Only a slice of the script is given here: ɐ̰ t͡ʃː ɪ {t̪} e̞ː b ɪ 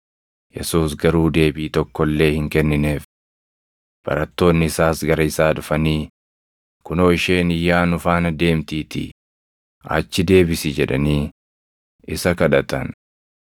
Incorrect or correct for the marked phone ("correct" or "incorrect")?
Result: incorrect